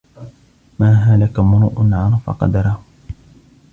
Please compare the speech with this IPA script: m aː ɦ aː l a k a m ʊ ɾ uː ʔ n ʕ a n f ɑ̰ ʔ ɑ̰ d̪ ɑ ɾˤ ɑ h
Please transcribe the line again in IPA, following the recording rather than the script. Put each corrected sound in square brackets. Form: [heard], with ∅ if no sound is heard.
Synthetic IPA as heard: m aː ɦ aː l a k a m ʊ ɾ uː ʔ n ʕ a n f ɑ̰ [q] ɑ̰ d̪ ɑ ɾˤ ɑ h